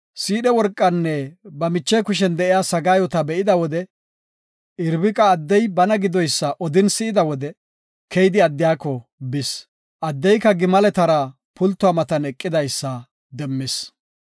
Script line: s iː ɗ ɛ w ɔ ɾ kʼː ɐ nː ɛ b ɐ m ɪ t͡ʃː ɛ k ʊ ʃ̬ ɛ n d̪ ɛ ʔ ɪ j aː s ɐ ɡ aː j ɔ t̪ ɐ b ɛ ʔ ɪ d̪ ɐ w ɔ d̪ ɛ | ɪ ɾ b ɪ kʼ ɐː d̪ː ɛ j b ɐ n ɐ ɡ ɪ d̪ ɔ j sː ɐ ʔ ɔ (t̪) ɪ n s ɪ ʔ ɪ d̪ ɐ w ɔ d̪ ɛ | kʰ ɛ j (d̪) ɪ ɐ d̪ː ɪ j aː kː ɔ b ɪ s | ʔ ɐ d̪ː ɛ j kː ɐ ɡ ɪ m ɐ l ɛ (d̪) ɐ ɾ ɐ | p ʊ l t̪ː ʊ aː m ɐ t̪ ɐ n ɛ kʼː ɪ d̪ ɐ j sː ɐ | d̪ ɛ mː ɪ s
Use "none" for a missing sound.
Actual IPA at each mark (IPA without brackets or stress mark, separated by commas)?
d̪, d̪, t̪